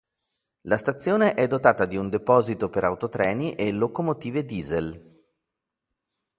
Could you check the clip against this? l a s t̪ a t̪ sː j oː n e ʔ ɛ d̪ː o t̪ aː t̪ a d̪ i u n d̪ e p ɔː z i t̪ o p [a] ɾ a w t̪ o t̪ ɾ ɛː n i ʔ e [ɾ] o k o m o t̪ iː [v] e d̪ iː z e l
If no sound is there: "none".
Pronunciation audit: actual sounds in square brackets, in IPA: e, l, v

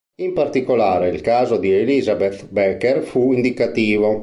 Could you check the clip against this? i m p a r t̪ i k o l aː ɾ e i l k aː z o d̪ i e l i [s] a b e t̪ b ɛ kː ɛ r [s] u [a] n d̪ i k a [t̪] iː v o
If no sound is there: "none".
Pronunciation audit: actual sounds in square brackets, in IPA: z, f, i, t̪

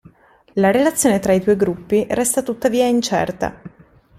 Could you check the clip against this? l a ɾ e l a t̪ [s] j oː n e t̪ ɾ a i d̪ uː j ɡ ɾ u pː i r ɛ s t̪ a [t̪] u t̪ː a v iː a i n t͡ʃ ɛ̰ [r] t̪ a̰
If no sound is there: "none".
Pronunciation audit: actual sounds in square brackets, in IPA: sː, t̪, r

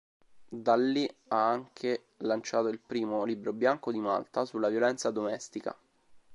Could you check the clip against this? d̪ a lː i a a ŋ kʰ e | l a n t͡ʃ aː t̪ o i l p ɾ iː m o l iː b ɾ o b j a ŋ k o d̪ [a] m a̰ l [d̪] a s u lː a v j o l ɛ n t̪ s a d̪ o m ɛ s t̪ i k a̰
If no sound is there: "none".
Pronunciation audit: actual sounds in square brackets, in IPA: i, t̪

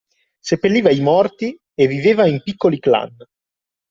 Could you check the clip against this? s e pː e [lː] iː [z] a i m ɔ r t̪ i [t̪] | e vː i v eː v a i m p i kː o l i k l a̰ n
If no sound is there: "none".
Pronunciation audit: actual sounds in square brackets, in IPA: lː, v, none

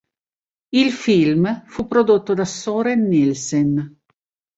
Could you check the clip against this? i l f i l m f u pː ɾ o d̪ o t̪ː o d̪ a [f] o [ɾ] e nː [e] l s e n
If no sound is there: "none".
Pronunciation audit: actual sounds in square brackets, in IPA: s, ɾ, i

